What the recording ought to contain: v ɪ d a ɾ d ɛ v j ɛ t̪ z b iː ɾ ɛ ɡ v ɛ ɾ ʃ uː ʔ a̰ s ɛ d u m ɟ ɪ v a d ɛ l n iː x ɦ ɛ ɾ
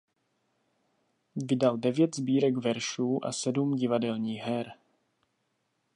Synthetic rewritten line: v ɪ d a l d ɛ v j ɛ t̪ z b iː ɾ ɛ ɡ v ɛ ɾ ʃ uː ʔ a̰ s ɛ d u m ɟ ɪ v a d ɛ l ɲ iː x ɦ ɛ ɾ